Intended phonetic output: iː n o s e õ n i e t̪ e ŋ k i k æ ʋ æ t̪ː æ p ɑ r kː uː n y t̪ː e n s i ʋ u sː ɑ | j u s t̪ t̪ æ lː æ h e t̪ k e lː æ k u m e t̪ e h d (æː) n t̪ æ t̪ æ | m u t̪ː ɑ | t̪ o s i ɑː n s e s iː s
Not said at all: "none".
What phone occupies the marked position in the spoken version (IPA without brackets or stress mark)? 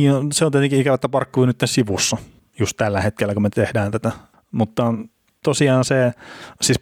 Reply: æː